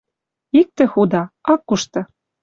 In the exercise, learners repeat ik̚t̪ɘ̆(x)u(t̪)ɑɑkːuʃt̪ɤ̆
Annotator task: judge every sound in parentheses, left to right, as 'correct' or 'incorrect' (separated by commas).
correct, incorrect